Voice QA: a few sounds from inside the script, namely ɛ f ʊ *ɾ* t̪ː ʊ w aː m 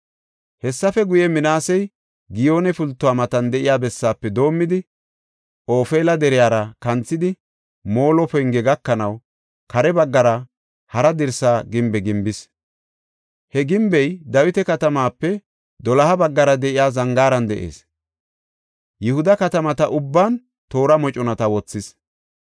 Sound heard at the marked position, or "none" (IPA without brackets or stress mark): l